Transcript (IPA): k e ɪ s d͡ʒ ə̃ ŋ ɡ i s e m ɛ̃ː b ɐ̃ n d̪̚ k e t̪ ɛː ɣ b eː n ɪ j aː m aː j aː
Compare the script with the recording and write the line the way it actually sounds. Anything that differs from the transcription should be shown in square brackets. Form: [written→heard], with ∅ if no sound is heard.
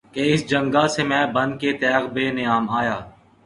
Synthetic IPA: k e ɪ s d͡ʒ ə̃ ŋ ɡ [i→a] s e m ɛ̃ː b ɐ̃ n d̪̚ k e t̪ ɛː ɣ b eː n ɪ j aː m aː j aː